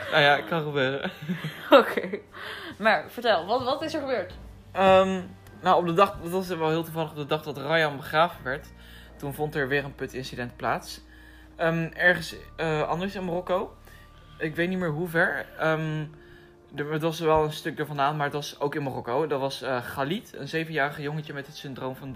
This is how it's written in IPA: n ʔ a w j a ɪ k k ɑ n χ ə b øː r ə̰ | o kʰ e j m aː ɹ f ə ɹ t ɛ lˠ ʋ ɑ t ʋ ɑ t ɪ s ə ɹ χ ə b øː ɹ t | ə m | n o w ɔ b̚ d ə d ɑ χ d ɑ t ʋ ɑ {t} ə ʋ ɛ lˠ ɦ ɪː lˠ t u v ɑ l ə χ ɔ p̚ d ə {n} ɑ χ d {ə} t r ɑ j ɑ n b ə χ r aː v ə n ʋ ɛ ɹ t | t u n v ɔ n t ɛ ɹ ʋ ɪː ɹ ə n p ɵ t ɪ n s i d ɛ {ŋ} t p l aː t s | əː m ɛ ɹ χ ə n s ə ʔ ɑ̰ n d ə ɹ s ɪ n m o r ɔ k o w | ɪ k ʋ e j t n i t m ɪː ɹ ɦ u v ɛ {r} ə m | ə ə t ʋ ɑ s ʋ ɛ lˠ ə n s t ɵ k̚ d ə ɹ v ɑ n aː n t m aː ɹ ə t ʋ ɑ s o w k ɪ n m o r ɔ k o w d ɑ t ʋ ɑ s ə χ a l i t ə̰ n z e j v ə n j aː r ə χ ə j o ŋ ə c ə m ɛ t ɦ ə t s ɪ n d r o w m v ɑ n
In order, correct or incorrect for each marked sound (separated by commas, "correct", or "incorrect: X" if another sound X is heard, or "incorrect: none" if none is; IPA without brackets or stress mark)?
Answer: incorrect: s, incorrect: d, incorrect: ɑ, incorrect: n, incorrect: ɹ